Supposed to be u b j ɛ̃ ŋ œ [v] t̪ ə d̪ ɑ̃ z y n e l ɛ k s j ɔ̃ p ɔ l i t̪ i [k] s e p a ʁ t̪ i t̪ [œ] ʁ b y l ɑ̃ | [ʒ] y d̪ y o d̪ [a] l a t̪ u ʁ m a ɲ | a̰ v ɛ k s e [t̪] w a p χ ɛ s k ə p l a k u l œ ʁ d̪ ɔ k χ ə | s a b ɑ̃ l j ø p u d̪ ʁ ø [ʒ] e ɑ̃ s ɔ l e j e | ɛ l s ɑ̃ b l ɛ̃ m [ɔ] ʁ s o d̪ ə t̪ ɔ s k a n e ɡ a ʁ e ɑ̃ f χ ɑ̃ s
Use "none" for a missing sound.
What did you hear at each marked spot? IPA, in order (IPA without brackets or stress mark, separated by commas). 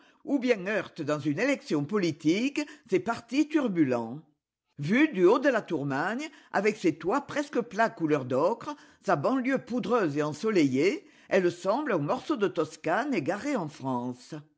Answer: ʁ, k, y, v, ə, t̪, z, ɔ